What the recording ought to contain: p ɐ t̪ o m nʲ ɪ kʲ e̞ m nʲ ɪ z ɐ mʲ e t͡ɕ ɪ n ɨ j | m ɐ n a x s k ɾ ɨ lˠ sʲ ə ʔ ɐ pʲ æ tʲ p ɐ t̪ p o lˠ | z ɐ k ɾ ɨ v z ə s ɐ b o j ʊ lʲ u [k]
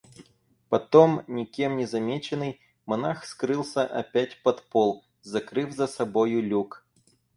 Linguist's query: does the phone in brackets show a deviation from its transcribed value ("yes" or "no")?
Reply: no